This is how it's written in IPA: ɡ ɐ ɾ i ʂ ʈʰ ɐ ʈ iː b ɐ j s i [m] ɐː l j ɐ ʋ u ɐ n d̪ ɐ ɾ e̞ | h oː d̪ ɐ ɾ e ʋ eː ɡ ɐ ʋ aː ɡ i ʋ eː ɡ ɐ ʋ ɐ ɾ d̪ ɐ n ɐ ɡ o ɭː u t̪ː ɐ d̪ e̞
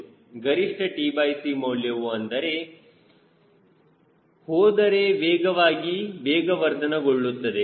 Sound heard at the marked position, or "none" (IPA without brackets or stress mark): m